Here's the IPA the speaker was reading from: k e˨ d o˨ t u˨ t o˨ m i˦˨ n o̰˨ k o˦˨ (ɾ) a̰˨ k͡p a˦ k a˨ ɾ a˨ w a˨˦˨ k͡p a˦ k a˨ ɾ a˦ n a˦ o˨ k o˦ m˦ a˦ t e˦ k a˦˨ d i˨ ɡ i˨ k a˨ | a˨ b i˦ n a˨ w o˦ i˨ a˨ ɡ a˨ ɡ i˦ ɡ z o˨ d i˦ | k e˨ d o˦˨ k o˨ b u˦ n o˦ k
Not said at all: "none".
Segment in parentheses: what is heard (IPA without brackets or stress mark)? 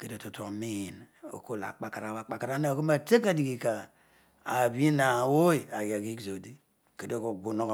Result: l